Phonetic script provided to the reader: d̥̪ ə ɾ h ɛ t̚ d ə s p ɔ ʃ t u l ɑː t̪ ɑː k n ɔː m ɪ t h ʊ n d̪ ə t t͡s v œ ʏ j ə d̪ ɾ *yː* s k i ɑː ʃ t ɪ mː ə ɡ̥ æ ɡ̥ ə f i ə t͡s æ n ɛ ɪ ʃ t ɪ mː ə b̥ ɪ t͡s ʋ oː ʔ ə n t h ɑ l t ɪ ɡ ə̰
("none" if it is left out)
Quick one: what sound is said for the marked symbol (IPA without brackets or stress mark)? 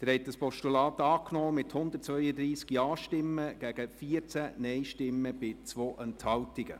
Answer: iː